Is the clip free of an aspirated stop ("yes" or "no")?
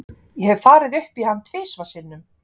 no